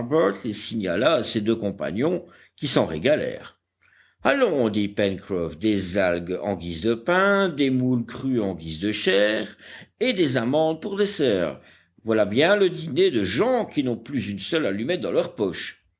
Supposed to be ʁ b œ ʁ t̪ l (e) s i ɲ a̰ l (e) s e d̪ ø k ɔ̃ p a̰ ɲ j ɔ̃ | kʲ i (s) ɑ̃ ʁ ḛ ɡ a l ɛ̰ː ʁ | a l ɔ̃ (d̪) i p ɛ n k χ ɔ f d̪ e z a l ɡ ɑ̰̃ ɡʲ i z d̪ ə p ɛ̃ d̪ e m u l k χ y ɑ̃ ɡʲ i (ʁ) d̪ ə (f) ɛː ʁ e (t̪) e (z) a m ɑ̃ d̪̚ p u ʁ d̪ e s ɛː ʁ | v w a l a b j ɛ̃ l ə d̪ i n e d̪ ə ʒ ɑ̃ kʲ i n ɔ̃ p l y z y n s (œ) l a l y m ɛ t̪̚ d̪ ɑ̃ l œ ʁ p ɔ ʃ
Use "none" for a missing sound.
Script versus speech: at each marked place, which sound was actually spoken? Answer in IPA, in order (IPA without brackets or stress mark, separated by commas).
e, a, s, d̪, z, ʃ, d̪, z, œ